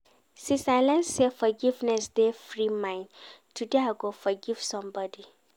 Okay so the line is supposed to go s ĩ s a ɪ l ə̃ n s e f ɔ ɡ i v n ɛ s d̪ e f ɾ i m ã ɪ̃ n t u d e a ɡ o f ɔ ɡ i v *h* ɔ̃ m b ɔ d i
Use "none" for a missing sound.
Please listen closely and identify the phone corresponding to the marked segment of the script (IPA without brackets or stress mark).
s